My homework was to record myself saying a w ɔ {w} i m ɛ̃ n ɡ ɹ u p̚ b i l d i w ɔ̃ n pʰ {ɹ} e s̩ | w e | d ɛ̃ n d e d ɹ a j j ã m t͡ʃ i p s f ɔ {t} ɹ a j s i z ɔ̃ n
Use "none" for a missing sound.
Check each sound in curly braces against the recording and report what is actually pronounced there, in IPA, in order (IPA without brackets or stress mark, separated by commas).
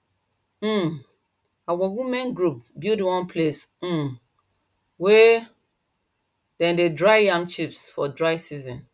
w, l, d